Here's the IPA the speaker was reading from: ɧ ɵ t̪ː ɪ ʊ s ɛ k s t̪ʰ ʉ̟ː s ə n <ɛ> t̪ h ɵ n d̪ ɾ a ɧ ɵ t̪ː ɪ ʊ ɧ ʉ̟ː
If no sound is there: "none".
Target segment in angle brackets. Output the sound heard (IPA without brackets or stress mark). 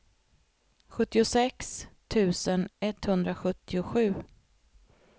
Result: ɛ